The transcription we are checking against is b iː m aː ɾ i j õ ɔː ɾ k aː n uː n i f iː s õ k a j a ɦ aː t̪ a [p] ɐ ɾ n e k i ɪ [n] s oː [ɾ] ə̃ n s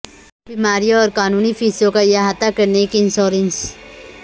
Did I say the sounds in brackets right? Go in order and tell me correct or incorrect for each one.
incorrect, correct, correct

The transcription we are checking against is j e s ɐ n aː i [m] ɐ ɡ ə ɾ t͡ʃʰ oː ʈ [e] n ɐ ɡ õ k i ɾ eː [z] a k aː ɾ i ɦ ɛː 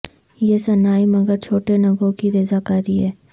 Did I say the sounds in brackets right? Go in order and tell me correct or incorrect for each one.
correct, correct, correct

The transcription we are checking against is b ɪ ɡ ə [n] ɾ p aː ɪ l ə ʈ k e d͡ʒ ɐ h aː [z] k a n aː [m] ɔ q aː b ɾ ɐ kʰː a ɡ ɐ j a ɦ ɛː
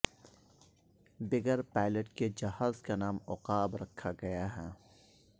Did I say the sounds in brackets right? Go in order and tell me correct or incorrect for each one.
incorrect, correct, correct

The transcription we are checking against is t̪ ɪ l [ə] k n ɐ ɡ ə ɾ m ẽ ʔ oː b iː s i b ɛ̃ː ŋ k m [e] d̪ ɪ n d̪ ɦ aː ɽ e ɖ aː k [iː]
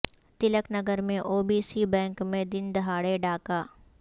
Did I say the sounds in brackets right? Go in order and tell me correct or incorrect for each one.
correct, incorrect, incorrect

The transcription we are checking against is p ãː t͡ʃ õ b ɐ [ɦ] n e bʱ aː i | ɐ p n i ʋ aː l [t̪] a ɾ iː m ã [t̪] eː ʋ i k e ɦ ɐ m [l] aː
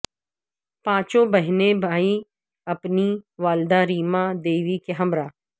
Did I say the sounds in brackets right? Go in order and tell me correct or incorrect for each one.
correct, incorrect, incorrect, incorrect

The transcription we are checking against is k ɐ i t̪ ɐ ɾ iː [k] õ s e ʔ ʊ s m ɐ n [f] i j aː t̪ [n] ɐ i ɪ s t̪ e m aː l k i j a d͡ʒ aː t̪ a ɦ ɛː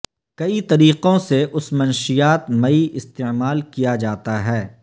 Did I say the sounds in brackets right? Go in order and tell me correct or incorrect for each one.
incorrect, incorrect, incorrect

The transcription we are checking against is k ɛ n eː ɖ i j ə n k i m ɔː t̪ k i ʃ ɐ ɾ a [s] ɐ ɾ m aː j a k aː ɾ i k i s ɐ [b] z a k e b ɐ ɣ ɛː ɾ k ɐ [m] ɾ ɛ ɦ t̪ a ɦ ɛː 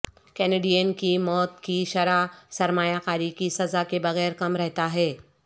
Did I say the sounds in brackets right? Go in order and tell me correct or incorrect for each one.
correct, incorrect, correct

